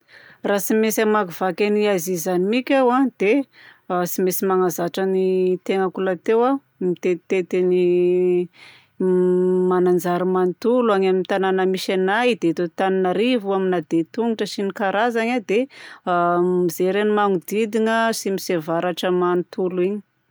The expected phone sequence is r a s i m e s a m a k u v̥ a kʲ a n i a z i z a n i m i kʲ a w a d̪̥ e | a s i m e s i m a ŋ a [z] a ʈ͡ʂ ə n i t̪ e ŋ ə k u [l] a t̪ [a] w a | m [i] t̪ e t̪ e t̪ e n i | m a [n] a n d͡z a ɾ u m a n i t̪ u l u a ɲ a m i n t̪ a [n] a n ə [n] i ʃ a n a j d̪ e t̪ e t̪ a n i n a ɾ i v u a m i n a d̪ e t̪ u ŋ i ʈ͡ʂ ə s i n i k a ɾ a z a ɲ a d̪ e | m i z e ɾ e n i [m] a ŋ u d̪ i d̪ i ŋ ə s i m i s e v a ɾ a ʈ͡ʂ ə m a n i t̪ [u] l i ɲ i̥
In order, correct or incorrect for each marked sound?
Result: correct, correct, incorrect, correct, correct, correct, incorrect, correct, correct

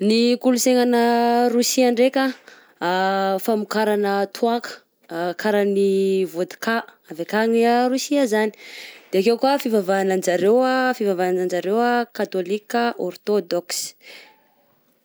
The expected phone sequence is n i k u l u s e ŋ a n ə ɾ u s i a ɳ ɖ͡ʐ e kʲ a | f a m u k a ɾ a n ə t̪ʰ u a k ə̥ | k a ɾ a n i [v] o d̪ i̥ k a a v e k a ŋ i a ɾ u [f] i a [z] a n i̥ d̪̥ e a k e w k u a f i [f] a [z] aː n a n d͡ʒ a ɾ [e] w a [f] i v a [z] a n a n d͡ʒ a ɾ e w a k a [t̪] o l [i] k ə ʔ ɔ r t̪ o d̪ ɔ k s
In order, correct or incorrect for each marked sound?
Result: correct, incorrect, correct, incorrect, incorrect, correct, correct, incorrect, correct, correct

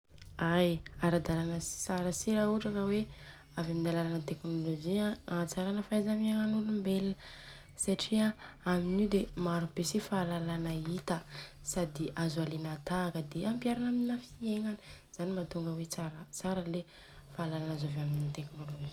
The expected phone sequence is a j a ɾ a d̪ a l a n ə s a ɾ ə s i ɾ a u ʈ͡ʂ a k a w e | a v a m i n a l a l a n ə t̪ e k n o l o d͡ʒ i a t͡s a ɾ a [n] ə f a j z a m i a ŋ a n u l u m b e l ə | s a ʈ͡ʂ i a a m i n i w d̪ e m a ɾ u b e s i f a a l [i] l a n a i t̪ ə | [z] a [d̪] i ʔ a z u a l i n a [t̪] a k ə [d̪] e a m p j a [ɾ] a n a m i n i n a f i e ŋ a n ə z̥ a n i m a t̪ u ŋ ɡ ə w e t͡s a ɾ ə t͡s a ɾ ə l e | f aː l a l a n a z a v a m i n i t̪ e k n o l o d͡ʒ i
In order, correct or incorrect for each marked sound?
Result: correct, incorrect, incorrect, correct, correct, correct, correct

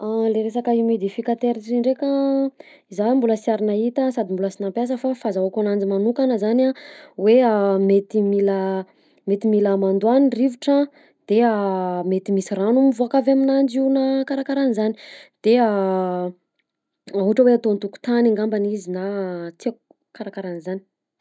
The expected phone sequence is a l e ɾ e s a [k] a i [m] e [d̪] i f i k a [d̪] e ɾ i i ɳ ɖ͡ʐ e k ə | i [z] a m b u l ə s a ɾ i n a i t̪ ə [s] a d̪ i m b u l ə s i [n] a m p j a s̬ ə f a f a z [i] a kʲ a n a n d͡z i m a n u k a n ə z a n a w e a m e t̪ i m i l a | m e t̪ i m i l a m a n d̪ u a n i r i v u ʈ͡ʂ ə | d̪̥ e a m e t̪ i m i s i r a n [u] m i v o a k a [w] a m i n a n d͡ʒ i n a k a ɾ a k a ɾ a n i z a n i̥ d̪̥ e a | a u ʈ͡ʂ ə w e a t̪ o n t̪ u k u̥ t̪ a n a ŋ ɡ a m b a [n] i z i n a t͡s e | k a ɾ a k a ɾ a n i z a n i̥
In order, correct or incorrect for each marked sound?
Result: correct, correct, correct, incorrect, correct, correct, correct, incorrect, correct, incorrect, correct

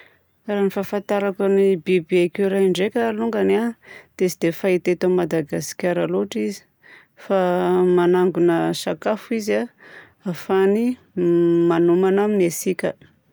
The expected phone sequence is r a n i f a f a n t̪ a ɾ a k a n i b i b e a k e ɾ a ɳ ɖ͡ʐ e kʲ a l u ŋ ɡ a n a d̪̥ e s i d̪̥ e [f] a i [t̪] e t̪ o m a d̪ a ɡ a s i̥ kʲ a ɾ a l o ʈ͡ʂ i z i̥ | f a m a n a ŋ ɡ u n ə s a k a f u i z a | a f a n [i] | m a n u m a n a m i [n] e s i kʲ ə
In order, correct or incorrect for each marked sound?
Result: correct, correct, correct, correct

